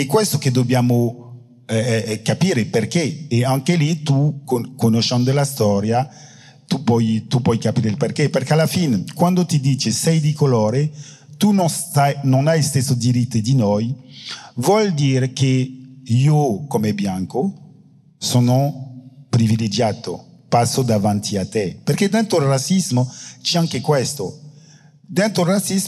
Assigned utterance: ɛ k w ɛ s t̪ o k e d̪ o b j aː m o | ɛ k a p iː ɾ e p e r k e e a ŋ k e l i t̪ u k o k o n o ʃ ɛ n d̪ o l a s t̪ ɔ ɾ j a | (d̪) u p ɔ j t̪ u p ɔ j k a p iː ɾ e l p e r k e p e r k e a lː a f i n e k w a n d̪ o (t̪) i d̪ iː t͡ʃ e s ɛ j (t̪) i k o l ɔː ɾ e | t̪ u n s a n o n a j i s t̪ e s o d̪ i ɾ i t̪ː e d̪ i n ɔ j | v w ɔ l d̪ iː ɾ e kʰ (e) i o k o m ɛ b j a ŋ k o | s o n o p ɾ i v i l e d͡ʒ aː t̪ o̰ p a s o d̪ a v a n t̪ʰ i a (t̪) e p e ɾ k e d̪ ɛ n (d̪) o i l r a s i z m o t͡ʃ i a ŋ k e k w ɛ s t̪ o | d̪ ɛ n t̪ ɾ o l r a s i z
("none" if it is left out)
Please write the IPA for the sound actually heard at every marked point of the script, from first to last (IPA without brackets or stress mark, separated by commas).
t̪, t̪, d̪, e, t̪, t̪